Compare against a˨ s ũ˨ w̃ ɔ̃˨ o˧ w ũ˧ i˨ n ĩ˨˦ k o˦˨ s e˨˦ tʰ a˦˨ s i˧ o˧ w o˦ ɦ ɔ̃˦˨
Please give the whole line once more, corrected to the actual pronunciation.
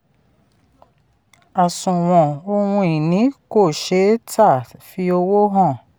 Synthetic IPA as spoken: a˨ s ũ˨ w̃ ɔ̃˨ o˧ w ũ˧ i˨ n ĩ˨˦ k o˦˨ ʃ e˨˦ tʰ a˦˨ f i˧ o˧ w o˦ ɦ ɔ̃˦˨

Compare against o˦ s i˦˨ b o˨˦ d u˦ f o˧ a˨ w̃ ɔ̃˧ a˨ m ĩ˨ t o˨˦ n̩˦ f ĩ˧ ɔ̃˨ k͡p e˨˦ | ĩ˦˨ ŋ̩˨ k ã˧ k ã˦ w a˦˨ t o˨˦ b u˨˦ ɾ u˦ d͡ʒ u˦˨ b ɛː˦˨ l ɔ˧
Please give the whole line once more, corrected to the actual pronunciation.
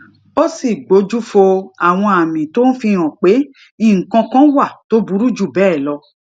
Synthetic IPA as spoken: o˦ s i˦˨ ɡ͡b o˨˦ d͡ʒ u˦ f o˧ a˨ w̃ ɔ̃˧ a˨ m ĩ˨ t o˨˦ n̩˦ f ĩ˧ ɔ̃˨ k͡p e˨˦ | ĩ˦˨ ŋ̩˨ k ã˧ k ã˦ w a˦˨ t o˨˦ b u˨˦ ɾ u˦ d͡ʒ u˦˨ b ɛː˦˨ l ɔ˧

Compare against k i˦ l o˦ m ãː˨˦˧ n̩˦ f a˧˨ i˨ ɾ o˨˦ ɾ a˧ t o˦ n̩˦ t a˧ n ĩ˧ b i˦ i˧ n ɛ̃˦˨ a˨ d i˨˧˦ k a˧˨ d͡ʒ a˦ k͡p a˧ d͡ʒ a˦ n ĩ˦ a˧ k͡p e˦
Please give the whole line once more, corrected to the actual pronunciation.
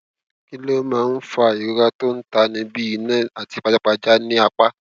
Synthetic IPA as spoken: k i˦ l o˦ m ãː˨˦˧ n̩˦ f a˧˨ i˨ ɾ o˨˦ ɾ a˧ t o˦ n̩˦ t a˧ n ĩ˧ b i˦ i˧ n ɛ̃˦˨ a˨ t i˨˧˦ k͡p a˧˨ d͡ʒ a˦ k͡p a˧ d͡ʒ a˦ n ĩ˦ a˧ k͡p a˦

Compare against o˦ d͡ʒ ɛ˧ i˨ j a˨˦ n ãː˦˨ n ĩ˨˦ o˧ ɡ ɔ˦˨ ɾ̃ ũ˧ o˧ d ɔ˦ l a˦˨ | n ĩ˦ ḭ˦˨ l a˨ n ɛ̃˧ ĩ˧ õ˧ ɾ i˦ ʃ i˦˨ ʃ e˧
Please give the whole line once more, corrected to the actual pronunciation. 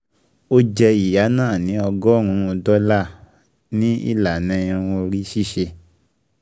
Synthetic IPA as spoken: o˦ d͡ʒ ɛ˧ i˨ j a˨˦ n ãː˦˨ n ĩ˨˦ ɔ˧ ɡ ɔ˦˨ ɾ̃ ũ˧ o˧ d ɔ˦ l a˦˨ | n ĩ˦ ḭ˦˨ l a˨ n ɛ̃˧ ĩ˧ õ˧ ɾ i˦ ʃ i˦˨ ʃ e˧

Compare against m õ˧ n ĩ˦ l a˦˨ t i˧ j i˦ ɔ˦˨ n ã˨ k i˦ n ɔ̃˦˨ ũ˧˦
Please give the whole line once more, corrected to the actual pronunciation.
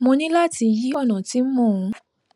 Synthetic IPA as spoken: m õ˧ n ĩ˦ l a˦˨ t i˧ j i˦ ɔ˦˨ n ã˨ t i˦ m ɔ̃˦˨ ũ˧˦

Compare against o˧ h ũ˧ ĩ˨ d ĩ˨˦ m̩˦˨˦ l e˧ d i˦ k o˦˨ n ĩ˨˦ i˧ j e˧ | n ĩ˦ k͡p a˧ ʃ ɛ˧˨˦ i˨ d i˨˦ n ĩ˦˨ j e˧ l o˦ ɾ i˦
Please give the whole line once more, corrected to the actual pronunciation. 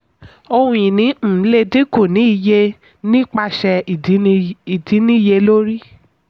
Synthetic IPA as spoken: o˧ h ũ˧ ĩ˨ n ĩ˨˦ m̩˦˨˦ l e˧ d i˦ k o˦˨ n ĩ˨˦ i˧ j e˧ | n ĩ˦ k͡p a˧ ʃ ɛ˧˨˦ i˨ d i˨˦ n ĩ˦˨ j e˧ l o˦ ɾ i˦

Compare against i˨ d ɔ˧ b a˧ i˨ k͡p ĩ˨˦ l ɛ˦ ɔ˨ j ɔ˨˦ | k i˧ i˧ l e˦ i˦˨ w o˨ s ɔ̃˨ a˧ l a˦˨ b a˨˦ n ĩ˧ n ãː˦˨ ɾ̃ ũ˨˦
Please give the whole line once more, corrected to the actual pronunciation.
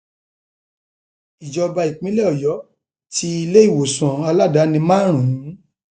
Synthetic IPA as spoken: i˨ d͡ʒ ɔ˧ b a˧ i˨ k͡p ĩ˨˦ l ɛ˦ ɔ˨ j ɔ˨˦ | t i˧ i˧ l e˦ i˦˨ w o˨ s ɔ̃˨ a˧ l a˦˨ d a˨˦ n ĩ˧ m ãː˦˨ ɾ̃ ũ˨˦

